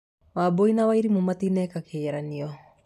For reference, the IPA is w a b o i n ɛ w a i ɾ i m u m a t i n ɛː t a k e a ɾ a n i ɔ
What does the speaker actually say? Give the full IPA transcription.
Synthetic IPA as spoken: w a b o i n a w a i ɾ i m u m a t i n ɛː k a k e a ɾ a n i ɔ